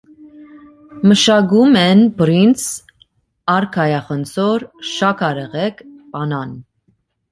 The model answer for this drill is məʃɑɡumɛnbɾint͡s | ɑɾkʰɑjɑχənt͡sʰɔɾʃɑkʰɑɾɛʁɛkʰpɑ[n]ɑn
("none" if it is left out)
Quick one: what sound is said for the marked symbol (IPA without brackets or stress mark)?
n